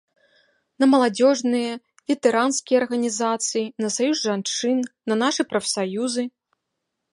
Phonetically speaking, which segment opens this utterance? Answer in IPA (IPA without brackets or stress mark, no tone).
n